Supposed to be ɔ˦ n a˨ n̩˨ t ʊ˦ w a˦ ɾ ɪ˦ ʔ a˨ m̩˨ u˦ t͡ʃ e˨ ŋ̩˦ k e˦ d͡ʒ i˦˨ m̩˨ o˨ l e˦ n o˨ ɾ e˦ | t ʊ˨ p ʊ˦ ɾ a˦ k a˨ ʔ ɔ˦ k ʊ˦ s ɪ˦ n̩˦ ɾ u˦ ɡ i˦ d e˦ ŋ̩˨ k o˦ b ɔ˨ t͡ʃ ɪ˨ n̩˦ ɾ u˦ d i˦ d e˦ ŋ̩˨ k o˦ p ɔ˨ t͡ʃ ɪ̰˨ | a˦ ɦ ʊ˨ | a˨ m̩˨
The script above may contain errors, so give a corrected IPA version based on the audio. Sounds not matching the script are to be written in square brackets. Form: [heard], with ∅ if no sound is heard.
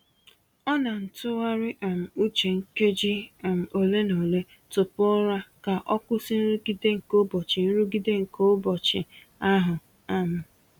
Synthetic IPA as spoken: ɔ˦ n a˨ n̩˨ t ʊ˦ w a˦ ɾ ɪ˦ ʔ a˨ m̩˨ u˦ t͡ʃ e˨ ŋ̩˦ k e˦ d͡ʒ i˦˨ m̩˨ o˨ l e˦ n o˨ [l] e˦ | t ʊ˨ p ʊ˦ ɾ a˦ k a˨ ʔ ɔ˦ k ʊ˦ s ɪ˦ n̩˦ ɾ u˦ ɡ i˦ d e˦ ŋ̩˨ k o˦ b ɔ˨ t͡ʃ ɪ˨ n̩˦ ɾ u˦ [ɡ] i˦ d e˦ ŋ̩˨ k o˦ [b] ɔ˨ t͡ʃ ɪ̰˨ | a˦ ɦ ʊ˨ | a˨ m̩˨